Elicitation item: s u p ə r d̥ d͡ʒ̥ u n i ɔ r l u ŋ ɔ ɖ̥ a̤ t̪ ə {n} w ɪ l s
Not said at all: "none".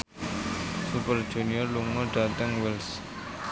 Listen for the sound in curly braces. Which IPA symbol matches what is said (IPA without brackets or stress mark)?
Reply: ŋ